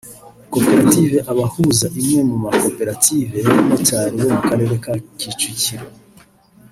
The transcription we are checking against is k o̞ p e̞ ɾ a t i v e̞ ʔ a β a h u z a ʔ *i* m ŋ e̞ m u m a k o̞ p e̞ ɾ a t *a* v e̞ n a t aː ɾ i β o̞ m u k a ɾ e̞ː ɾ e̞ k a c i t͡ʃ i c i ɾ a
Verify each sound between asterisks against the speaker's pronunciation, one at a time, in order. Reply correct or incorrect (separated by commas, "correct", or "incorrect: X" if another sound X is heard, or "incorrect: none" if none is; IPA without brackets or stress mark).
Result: correct, incorrect: i